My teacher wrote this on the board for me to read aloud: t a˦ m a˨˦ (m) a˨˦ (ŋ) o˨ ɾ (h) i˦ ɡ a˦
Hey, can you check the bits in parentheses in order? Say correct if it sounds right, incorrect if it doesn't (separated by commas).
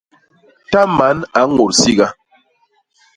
incorrect, correct, incorrect